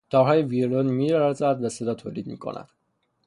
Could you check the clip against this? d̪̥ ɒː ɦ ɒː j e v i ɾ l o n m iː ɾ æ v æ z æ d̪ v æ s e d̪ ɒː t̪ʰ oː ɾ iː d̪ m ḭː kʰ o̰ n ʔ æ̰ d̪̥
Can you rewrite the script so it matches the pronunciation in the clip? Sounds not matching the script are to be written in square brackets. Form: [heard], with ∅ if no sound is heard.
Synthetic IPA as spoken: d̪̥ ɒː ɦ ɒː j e v i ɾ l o n m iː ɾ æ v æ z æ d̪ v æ s e d̪ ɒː t̪ʰ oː [l] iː d̪ m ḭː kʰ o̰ n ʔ æ̰ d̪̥